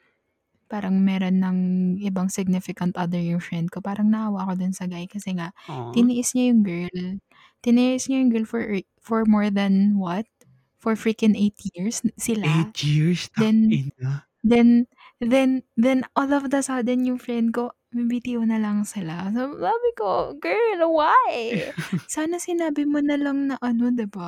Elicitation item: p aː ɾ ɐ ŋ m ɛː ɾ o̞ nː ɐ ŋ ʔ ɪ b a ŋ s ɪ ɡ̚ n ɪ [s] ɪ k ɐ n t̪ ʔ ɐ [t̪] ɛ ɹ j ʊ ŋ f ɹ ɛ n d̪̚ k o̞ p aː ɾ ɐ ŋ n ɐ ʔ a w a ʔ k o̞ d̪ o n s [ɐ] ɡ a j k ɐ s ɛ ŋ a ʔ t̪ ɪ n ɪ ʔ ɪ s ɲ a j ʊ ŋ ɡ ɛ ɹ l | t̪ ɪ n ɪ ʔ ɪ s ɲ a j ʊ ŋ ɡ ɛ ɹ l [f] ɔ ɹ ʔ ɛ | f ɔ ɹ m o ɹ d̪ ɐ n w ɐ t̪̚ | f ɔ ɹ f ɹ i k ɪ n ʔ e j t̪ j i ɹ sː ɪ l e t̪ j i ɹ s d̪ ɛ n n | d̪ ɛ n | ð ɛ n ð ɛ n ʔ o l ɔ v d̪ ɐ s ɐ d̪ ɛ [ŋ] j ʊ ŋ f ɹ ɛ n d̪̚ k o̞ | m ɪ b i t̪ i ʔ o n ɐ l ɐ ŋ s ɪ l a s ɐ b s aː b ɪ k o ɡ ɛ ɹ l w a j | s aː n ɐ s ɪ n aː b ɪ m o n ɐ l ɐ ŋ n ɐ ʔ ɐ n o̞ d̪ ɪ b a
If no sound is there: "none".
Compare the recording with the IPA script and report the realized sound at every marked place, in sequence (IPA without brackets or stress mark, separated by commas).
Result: f, d̪, ɐ, f, n